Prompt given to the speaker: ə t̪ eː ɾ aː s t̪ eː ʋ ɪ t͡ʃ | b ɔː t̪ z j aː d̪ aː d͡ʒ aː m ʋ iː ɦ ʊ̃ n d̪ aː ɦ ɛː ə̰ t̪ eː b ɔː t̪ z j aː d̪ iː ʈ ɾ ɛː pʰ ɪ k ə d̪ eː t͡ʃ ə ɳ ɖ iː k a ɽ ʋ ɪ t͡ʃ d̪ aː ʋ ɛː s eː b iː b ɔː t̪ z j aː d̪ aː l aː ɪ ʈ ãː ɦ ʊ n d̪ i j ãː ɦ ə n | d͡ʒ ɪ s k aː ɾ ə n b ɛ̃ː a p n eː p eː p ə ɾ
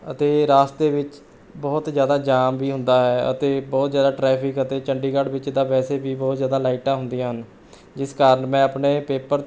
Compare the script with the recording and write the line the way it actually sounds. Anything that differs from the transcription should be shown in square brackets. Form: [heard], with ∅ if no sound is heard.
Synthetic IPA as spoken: ə t̪ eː ɾ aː s t̪ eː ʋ ɪ t͡ʃ | b ɔː t̪ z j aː d̪ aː d͡ʒ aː m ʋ iː ɦ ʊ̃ n d̪ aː ɦ ɛː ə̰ t̪ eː b ɔː t̪ z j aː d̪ [aː] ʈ ɾ ɛː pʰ ɪ k ə [t̪] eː t͡ʃ ə ɳ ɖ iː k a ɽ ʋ ɪ t͡ʃ d̪ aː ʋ ɛː s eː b iː b ɔː t̪ z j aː d̪ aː l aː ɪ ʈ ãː ɦ ʊ n d̪ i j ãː ɦ ə n | d͡ʒ ɪ s k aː ɾ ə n [m] ɛ̃ː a p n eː p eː p ə ɾ